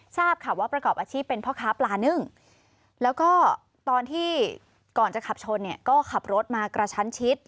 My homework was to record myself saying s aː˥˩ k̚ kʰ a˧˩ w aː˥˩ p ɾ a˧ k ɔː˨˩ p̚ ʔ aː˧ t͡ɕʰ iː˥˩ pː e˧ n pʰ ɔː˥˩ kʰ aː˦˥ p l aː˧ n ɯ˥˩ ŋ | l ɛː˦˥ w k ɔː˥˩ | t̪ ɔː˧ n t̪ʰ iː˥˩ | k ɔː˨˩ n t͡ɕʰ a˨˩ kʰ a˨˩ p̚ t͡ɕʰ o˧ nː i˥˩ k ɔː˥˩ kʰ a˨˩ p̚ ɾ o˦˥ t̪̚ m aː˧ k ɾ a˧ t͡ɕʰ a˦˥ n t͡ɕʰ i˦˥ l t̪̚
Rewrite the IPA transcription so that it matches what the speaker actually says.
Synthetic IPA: s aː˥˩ p̚ kʰ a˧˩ w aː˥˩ p ɾ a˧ k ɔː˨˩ p̚ ʔ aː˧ t͡ɕʰ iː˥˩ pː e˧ n pʰ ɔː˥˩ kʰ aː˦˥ p l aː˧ n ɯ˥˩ ŋ | l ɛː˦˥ w k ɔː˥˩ | t̪ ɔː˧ n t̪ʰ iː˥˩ | k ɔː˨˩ n t͡ɕ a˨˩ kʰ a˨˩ p̚ t͡ɕʰ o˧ nː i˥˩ k ɔː˥˩ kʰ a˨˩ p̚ ɾ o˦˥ t̪̚ m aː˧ k ɾ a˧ t͡ɕʰ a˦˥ n t͡ɕʰ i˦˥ t̪̚